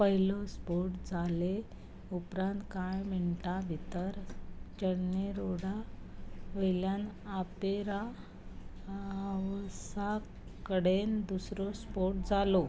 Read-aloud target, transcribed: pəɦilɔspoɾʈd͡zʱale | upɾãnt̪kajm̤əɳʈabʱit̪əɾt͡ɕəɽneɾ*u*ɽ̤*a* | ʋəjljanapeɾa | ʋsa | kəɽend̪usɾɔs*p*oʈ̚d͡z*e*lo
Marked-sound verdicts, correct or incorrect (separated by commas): incorrect, correct, correct, incorrect